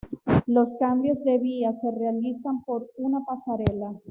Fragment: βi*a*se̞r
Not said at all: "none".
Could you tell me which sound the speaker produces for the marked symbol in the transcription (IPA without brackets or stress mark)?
a